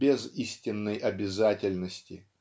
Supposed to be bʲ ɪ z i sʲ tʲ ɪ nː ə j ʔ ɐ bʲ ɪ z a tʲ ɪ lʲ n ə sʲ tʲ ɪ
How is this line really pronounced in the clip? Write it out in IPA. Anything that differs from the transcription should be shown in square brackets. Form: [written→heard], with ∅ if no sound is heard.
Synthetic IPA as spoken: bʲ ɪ z i sʲ tʲ ɪ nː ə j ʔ ɐ bʲ ɪ z a tʲ ɪ lʲ n ə sʲ tʲ ɪ